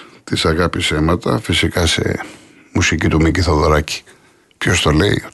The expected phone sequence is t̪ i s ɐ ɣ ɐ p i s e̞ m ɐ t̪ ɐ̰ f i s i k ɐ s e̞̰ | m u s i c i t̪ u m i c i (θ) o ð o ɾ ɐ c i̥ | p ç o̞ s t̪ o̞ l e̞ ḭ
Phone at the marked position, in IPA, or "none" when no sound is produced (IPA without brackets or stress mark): θ